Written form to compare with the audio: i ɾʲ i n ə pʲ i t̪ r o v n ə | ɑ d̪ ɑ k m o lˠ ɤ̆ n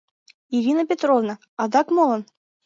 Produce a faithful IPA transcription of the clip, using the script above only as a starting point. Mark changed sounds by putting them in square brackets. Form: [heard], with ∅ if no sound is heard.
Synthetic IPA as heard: i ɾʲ i n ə pʲ [e] t̪ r o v n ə | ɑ d̪ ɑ k m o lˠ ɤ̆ n